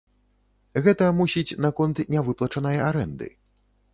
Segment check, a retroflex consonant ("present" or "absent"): present